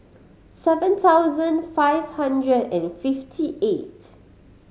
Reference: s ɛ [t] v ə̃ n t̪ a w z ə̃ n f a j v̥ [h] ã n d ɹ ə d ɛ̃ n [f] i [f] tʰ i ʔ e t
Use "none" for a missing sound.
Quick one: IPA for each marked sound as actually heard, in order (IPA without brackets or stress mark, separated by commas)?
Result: none, h, f, f